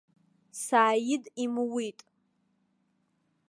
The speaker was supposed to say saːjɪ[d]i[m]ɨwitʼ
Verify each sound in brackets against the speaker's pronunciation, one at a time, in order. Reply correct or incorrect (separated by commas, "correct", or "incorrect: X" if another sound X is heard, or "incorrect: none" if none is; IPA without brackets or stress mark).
correct, correct